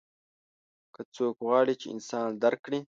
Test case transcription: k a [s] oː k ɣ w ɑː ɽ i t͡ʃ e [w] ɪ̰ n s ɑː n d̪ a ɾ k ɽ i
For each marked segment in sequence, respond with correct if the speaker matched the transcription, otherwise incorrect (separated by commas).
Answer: incorrect, incorrect